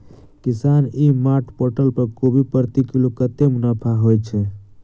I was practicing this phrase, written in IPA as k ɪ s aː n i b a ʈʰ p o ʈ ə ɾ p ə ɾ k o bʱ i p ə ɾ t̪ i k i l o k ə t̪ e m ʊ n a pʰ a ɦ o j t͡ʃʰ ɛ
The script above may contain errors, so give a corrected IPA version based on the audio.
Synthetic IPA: k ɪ s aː n i m a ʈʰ p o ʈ ə l p ə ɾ k o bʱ i p ə ɾ t̪ i k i l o k ə t̪ e m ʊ n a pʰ a ɦ o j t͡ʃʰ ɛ